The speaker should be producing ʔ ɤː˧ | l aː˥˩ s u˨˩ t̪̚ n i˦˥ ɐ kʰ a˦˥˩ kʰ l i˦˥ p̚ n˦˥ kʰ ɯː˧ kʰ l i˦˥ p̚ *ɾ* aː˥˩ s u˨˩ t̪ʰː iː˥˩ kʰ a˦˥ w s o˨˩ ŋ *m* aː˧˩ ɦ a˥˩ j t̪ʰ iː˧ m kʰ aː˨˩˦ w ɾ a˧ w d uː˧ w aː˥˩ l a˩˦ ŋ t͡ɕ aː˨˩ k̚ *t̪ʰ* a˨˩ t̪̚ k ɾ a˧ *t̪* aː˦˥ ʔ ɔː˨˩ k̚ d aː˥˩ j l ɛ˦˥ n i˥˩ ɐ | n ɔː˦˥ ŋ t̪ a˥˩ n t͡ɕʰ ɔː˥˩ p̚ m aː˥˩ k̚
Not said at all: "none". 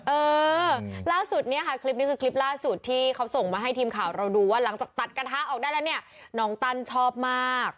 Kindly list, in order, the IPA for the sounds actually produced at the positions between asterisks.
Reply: l, m, t̪, t̪ʰ

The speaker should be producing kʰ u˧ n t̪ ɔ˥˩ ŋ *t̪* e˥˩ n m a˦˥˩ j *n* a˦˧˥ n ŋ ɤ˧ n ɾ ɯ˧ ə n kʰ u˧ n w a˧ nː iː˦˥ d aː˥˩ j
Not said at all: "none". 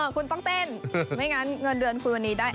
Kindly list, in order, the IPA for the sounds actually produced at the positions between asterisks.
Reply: t̪, ŋ

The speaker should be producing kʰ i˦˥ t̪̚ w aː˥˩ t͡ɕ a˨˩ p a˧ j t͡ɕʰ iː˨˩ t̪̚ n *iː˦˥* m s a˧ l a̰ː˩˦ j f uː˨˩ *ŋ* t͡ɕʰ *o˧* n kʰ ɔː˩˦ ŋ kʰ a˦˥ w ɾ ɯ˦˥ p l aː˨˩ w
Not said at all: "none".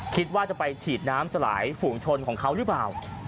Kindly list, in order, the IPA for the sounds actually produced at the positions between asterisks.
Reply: aː˦˥, ŋ, o˧

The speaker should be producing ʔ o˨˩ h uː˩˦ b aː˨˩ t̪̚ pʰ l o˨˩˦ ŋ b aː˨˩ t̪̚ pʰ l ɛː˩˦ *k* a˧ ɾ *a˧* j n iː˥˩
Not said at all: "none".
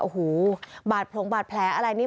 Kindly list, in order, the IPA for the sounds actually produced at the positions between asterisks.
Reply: ʔ, a˧

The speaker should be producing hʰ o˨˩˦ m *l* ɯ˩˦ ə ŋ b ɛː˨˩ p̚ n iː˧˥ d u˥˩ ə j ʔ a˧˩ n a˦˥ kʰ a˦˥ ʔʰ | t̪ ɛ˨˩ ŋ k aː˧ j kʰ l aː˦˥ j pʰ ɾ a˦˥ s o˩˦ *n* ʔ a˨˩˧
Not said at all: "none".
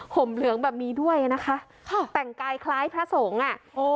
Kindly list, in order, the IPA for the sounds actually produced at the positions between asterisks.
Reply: l, ŋ

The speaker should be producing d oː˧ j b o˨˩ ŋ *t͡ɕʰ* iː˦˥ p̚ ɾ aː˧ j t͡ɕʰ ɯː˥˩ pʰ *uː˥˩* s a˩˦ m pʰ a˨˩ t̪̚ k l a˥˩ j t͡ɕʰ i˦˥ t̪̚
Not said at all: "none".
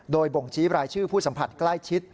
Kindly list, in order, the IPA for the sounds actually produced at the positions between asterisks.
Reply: t͡ɕʰ, uː˥˩

